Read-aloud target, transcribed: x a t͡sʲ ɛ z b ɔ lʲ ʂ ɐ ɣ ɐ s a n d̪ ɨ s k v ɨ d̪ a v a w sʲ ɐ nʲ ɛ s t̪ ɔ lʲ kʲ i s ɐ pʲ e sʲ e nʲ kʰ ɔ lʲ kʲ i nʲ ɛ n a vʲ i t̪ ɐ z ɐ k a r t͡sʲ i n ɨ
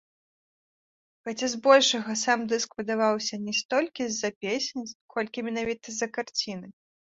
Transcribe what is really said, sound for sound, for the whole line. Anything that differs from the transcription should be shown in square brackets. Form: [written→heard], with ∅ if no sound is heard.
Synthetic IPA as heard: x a t͡sʲ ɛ z b ɔ lʲ ʂ ɐ ɣ ɐ s a [n→m] d̪ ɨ s k v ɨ d̪ a v a w sʲ ɐ nʲ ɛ s t̪ ɔ lʲ kʲ i [s→z] ɐ pʲ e sʲ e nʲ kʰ ɔ lʲ kʲ i [nʲ→mʲ] ɛ n a vʲ i t̪ ɐ z ɐ k a r t͡sʲ i n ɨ